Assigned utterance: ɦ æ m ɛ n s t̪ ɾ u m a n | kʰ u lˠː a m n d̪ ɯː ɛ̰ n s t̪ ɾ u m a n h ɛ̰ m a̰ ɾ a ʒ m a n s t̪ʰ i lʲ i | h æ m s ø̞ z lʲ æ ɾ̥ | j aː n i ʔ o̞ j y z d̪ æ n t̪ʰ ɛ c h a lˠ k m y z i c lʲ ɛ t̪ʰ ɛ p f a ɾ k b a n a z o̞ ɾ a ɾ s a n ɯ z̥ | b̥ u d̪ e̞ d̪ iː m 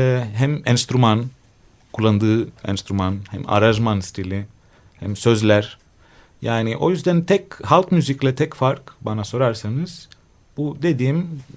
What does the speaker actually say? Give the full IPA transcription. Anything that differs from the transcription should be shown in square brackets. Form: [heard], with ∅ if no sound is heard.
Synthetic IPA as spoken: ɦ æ m ɛ n s t̪ ɾ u m a n | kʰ u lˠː a [∅] n d̪ ɯː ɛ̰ n s t̪ ɾ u m a n h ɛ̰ m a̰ ɾ a ʒ m a n s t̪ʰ i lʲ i | h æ m s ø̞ z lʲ æ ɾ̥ | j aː n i ʔ o̞ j y z d̪ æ n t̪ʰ ɛ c h a lˠ k m y z i c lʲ ɛ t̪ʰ ɛ [c] f a ɾ k b a n a [s] o̞ ɾ a ɾ s a n ɯ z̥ | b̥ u d̪ e̞ d̪ iː m